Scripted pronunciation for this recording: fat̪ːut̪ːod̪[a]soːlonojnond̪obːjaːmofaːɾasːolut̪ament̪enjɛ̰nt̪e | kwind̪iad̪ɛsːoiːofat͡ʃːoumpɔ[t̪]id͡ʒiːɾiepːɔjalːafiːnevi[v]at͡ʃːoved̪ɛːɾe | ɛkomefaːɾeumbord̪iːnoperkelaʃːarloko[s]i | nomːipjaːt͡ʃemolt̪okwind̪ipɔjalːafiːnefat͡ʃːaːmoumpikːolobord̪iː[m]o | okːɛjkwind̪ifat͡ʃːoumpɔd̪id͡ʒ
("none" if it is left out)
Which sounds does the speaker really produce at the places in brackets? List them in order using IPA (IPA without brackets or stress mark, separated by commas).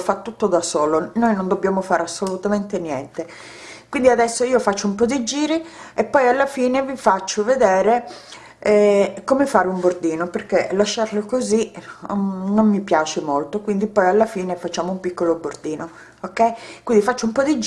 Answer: a, d̪, f, z, n